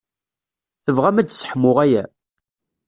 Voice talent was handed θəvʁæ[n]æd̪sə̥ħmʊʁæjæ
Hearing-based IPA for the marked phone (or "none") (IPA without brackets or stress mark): m